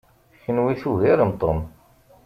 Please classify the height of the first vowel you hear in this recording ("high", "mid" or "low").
mid